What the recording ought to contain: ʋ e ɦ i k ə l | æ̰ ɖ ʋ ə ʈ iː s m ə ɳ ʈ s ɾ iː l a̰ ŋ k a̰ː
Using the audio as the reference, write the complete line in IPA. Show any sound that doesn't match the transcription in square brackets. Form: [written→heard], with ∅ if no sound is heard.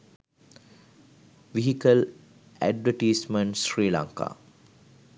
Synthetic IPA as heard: ʋ [e→i] ɦ i k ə l | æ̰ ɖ ʋ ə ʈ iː s m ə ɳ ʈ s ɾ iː l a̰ ŋ k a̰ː